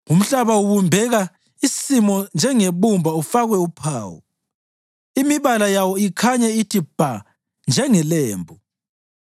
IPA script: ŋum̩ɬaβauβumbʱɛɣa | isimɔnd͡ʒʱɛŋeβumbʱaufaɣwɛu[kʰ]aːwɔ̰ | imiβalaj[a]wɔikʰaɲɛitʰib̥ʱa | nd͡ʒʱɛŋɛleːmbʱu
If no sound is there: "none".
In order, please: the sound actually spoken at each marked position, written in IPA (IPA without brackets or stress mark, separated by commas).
pʰ, a